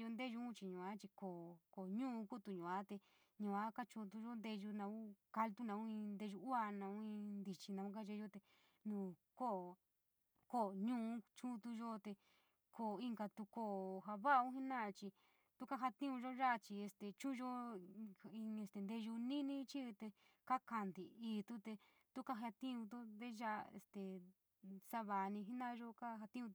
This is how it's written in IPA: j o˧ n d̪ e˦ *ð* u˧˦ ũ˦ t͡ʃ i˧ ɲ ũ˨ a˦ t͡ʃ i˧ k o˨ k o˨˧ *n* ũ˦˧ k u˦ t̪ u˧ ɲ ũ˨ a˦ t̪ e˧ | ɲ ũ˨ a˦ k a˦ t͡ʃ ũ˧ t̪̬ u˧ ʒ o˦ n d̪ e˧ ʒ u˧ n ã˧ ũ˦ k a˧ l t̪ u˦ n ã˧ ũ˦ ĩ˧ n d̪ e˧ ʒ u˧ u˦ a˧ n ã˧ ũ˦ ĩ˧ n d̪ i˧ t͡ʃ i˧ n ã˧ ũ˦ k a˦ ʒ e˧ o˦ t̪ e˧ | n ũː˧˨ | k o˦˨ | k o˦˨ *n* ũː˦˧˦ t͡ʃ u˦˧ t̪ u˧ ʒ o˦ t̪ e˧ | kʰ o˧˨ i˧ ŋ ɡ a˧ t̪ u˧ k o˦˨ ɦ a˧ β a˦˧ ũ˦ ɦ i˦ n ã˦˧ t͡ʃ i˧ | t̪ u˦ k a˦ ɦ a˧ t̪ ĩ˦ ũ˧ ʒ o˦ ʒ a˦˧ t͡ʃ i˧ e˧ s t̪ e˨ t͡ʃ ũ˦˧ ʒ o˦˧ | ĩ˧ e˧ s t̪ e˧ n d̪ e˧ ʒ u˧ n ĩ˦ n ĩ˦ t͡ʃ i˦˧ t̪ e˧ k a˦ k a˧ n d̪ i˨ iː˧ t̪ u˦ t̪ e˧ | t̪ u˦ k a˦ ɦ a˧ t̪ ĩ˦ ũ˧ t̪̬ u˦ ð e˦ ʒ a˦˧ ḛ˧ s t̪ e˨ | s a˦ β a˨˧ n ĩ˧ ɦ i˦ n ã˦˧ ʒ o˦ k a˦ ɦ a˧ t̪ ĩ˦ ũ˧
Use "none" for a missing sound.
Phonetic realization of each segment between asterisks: ʒ, ɲ, ɲ

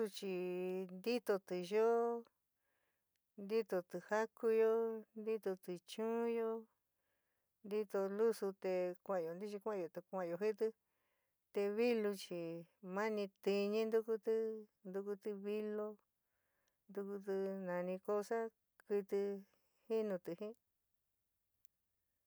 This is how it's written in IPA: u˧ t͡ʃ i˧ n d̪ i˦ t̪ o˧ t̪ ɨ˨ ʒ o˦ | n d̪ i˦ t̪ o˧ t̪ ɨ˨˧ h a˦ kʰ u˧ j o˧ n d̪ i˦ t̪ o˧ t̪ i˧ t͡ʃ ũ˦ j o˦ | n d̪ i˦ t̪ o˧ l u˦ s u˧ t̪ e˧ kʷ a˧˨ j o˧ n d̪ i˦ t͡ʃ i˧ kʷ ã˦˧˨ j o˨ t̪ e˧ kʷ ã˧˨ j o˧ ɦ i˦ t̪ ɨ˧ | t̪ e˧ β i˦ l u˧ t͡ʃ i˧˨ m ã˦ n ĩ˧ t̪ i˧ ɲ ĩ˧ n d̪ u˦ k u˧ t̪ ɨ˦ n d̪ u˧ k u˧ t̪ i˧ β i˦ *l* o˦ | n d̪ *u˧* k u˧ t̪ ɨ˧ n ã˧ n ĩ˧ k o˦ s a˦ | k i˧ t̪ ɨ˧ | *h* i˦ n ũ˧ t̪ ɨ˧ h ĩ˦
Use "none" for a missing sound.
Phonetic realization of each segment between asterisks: l, u˧, h

